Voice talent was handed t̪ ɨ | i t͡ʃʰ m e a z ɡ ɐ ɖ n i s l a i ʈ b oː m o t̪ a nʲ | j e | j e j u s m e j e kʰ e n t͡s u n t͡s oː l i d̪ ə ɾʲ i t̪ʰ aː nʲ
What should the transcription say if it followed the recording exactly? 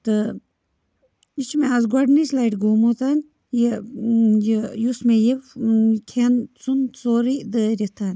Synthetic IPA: t̪ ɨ | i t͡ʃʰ m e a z ɡ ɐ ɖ n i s l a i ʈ ɡ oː m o t̪ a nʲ | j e | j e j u s m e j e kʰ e n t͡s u n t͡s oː ɾ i d̪ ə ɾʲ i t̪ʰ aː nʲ

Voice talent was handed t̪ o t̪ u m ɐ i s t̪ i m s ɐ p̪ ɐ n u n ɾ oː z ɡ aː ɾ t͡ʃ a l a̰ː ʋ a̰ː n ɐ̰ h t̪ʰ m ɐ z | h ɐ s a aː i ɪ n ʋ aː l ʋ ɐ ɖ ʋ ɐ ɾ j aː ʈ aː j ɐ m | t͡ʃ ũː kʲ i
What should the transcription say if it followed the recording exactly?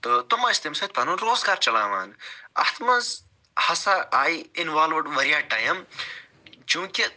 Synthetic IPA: t̪ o t̪ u m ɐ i s t̪ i m s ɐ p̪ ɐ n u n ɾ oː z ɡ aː ɾ t͡ʃ ɐ l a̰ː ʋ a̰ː n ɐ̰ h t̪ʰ m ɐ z | h ɐ s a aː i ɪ n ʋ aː l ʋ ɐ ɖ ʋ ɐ ɾ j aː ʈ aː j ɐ m | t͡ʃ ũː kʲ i

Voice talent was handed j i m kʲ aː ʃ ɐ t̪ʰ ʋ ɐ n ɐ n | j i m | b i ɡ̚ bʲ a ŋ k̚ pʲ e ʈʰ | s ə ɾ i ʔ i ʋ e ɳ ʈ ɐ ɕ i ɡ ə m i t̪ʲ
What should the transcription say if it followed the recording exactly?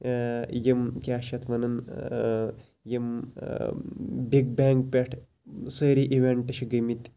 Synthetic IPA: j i m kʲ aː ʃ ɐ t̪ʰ ʋ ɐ n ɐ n | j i m | b i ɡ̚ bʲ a ŋ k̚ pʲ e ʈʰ | s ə ɾ i ʔ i ʋ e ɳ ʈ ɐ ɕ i ɡ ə m i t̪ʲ

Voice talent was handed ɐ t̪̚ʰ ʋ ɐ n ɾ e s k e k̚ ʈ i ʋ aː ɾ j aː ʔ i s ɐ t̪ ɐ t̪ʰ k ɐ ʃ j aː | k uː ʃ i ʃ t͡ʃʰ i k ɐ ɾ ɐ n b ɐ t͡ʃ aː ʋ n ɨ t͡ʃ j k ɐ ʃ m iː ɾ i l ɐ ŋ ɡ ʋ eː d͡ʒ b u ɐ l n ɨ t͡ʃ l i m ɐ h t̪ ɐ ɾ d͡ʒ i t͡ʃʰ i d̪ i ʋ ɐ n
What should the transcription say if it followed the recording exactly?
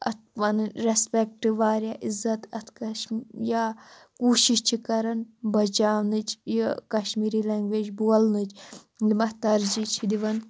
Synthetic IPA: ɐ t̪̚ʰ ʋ ɐ n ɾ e s p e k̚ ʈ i ʋ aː ɾ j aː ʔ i z ɐ t̪ ɐ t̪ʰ k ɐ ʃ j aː | k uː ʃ i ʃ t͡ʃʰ i k ɐ ɾ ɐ n b ɐ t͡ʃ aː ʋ n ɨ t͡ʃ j k ɐ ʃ m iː ɾ i l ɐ ŋ ɡ ʋ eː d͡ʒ b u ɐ l n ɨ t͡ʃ l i m ɐ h t̪ ɐ ɾ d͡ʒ i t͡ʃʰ i d̪ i ʋ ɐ n

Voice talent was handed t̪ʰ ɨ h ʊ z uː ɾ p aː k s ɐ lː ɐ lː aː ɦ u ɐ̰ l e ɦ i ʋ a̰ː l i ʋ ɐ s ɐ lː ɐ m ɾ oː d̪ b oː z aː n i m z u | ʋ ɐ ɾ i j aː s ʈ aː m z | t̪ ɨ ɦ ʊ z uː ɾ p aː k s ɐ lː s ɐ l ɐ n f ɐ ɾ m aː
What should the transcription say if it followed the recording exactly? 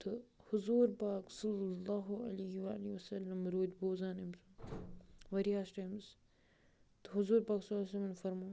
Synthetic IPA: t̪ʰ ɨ h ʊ z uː ɾ p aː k s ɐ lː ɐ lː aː ɦ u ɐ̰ l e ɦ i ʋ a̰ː l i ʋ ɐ s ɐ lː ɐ m ɾ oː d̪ b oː z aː n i m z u | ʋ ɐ ɾ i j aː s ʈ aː m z | t̪ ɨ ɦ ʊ z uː ɾ p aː k s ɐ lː s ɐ l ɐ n f ɐ ɾ m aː

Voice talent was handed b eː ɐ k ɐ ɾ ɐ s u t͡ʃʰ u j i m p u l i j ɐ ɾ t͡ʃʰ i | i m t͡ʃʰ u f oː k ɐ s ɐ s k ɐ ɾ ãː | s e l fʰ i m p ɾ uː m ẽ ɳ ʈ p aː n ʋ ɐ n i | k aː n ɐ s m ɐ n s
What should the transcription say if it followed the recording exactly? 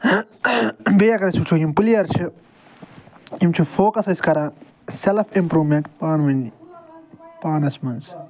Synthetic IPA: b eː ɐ k ɐ ɾ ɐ s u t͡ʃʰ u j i m p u l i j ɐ ɾ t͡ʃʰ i | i m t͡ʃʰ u f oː k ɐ s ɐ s k ɐ ɾ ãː | s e l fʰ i m p ɾ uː m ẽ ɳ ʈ p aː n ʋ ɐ n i | p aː n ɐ s m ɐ n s

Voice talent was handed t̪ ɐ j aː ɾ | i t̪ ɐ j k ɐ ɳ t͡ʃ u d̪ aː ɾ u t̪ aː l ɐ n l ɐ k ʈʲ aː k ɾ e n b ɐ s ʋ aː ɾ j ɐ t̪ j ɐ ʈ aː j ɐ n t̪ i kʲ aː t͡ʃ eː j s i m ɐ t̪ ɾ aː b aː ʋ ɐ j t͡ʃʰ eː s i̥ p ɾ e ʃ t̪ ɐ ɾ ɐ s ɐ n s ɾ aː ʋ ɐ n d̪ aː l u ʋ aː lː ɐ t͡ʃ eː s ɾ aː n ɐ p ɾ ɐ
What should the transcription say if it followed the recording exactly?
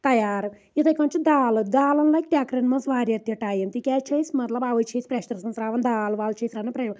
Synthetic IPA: t̪ ɐ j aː ɾ | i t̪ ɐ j k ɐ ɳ t͡ʃ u d̪ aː l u d̪ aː l ɐ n l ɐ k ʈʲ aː k ɾ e n m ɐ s ʋ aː ɾ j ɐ t̪ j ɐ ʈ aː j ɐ n t̪ i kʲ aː t͡ʃ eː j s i m ɐ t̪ l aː b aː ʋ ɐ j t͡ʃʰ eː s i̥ p ɾ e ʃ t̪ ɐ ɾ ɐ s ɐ n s ɾ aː ʋ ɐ n d̪ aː l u ʋ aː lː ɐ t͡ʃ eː s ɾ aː n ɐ p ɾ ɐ

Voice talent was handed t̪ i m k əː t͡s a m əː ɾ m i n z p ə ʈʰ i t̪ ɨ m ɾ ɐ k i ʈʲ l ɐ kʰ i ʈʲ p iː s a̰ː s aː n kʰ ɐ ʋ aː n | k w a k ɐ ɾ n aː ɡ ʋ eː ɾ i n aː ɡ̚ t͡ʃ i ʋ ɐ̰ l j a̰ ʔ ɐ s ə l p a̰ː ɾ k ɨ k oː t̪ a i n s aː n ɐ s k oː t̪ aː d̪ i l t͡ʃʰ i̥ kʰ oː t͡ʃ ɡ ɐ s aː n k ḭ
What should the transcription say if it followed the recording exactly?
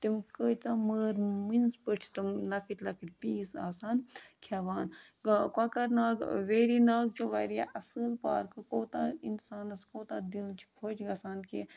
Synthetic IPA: t̪ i m k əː t͡s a m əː ɾ m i n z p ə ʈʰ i t̪ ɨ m l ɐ k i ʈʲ l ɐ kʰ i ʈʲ p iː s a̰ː s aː n kʰ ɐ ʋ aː n | k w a k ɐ ɾ n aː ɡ ʋ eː ɾ i n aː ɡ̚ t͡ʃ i ʋ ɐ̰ ɾ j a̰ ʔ ɐ s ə l p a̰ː ɾ k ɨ k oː t̪ a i n s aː n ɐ s k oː t̪ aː d̪ i l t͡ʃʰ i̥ kʰ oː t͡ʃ ɡ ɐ s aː n k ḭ

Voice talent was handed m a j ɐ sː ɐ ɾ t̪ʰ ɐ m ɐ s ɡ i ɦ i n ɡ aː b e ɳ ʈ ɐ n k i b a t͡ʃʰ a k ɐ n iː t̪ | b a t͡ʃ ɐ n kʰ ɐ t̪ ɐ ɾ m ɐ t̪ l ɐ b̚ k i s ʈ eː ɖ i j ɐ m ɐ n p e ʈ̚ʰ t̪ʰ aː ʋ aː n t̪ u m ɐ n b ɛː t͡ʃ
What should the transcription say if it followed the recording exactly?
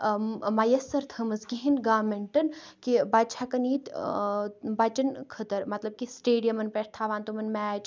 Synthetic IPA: m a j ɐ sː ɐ ɾ t̪ʰ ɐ m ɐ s ɡ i ɦ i n ɡ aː m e ɳ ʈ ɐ n k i b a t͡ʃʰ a k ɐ n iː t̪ | b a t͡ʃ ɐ n kʰ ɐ t̪ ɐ ɾ m ɐ t̪ l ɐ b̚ k i s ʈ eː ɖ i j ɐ m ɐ n p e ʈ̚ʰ t̪ʰ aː ʋ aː n t̪ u m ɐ n m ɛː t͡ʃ

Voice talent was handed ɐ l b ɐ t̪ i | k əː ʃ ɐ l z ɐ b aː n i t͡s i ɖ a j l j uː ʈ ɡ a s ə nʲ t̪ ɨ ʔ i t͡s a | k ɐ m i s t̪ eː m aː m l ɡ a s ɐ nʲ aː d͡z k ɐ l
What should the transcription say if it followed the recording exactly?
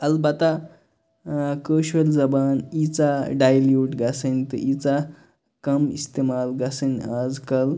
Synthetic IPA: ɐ l b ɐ t̪ a | k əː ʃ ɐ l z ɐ b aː n i t͡s a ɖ a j l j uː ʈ ɡ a s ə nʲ t̪ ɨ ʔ i t͡s a | k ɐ m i s t̪ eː m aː l ɡ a s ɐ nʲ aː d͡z k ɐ l

